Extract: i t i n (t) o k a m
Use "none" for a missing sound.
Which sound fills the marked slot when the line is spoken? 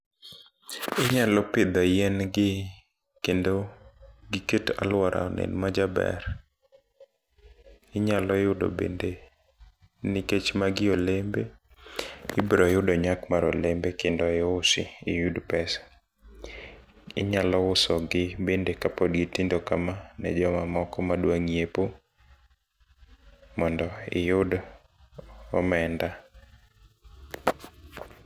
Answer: d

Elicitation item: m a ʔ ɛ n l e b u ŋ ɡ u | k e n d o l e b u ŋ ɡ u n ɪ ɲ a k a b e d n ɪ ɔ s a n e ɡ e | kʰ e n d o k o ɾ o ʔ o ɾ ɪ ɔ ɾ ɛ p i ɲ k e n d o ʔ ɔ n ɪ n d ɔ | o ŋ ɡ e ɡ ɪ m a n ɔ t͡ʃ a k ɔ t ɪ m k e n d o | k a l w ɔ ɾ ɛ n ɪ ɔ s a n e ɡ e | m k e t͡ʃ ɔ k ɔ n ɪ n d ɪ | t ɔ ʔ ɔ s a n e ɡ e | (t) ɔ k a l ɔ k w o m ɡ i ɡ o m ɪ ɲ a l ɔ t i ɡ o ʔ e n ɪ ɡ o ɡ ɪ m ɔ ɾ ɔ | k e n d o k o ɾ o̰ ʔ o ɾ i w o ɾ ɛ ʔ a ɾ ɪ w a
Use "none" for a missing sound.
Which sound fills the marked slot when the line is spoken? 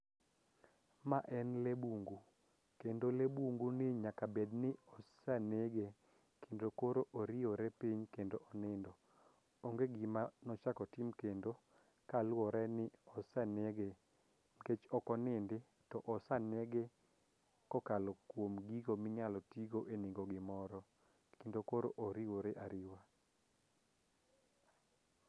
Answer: k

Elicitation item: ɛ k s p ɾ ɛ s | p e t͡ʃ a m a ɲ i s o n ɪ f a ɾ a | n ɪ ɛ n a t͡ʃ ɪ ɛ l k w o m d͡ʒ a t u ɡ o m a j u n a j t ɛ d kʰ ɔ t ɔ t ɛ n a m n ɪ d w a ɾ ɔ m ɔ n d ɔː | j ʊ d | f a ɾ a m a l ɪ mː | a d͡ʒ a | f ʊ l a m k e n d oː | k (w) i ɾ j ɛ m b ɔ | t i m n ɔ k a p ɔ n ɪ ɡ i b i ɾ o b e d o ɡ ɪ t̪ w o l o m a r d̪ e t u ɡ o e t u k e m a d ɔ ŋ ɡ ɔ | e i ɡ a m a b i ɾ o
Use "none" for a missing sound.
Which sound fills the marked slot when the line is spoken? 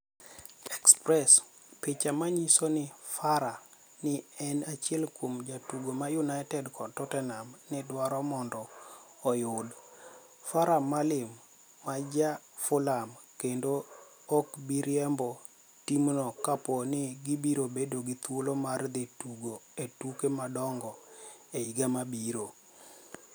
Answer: b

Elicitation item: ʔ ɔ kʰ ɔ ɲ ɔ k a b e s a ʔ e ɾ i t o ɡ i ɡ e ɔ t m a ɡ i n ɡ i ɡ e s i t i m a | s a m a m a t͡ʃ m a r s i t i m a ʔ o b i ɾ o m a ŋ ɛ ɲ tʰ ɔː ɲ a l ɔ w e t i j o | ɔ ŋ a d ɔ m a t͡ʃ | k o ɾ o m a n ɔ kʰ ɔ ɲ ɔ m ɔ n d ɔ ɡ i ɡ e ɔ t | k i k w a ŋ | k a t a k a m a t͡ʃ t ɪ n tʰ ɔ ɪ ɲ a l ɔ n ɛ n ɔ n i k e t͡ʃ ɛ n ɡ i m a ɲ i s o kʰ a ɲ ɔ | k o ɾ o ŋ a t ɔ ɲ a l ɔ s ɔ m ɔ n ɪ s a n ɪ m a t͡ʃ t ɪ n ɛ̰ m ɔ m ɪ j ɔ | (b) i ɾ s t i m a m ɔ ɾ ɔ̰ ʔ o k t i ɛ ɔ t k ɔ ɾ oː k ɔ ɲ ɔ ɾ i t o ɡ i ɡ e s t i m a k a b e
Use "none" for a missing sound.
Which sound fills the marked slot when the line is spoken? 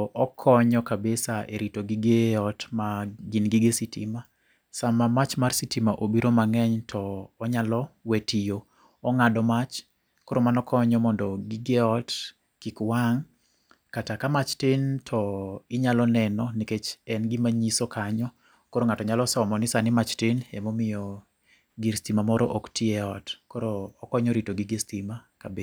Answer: ɡ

